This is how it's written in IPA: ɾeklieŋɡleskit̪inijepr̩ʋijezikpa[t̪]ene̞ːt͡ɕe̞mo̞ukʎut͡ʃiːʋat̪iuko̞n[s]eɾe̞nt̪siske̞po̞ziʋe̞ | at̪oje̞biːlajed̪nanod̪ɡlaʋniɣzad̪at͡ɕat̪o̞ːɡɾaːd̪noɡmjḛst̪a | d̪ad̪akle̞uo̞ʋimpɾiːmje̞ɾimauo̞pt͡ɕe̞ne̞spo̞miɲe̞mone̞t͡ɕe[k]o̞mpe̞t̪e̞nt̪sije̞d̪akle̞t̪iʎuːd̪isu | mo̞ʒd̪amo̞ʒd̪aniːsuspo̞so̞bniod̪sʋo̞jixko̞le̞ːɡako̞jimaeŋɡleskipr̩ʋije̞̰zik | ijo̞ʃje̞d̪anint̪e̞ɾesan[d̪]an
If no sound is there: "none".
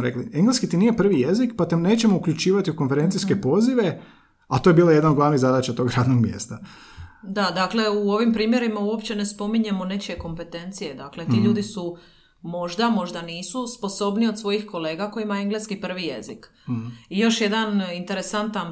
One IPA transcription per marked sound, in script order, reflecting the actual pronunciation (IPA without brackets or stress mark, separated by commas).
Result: t̪, f, k, t̪